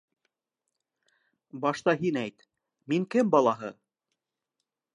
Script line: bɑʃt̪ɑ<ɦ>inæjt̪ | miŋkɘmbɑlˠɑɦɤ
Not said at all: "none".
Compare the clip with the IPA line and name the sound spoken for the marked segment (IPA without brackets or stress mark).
ɦ